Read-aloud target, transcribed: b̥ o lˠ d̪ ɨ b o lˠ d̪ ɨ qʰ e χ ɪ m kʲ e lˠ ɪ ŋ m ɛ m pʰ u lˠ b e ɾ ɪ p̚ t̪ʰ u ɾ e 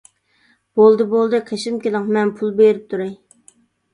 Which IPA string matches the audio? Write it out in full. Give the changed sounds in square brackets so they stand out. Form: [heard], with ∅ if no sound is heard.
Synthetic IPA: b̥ o lˠ d̪ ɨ b o lˠ d̪ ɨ qʰ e [ʃ] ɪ m kʲ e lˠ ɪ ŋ m ɛ [n] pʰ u lˠ b e ɾ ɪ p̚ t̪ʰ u ɾ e